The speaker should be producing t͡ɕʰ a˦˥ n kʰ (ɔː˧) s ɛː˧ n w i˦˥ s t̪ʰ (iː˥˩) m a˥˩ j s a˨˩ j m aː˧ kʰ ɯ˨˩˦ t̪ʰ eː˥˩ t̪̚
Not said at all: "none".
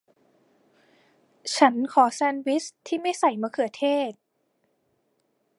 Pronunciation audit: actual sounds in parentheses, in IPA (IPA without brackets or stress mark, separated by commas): ɔː˩˦, iː˥˩